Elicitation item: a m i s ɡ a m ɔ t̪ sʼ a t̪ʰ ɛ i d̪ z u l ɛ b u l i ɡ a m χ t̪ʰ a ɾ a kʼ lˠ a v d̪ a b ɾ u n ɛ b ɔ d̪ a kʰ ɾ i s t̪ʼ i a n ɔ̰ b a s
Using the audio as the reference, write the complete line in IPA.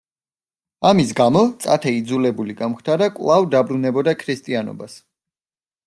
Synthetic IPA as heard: a m i s ɡ a m ɔ t̪ sʼ a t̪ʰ ɛ i d̪ z u l ɛ b u l i ɡ a m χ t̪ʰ a ɾ a kʼ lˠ a v d̪ a b ɾ u n ɛ b ɔ d̪ a kʰ ɾ i s t̪ʼ i a n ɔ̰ b a s